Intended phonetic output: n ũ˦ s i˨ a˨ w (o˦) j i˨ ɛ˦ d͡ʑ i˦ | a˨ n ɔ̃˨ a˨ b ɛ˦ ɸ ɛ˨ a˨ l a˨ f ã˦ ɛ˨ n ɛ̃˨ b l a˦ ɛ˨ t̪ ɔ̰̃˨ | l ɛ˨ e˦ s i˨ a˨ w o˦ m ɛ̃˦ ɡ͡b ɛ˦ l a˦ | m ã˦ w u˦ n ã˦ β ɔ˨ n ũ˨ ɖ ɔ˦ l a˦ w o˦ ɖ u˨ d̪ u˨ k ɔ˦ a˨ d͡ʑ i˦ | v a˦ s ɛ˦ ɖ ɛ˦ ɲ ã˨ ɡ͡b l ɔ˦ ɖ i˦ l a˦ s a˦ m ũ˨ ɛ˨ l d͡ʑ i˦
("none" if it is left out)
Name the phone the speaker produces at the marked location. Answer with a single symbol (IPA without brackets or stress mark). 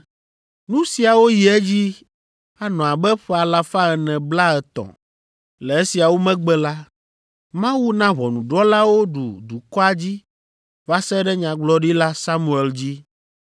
o˦